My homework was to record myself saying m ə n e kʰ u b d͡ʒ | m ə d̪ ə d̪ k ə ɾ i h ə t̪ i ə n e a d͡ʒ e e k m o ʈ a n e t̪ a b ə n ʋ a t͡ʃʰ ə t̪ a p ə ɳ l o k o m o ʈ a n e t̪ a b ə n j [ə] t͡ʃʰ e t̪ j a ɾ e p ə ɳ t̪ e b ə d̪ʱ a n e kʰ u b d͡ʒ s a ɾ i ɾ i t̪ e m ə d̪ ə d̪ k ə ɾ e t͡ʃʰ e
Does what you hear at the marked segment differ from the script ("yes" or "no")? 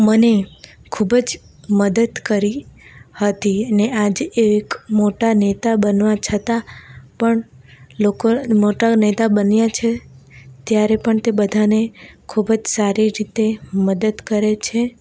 yes